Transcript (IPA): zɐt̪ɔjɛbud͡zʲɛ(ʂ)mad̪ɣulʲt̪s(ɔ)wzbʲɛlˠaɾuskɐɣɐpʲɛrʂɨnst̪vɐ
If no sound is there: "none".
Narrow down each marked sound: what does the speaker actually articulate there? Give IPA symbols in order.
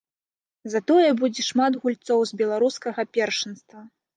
ʂ, ɔ

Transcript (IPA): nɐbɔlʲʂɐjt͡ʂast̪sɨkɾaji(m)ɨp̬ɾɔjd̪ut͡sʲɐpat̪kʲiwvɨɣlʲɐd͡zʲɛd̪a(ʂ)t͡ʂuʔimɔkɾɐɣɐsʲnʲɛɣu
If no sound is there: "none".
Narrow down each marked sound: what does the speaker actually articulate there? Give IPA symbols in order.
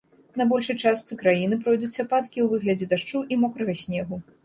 n, ʂ

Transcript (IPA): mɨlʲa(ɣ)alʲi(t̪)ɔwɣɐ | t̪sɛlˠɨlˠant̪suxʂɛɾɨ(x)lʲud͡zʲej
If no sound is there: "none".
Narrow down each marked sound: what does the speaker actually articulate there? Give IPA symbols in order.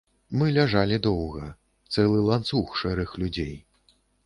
ʐ, d̪, x

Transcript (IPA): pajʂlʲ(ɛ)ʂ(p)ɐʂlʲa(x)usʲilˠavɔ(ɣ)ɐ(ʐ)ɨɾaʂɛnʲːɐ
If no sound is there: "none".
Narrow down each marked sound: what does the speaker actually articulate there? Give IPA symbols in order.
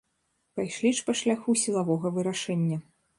i, p, x, ɣ, v

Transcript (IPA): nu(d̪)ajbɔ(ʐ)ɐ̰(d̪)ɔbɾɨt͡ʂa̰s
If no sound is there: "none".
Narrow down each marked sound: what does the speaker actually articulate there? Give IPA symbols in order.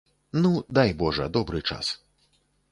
d̪, ʐ, d̪

